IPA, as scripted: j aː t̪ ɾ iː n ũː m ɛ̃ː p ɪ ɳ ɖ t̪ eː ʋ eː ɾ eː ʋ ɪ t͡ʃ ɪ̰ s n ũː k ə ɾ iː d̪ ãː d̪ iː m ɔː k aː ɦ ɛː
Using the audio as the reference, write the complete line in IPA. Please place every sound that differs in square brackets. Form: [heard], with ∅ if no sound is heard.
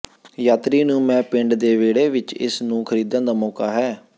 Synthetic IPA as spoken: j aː t̪ ɾ iː n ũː m ɛ̃ː p ɪ ɳ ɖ [d̪] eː ʋ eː [ɽ] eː ʋ ɪ t͡ʃ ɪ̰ s n ũː [kʰ] ə ɾ iː d̪ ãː d̪ [aː] m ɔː k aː ɦ ɛː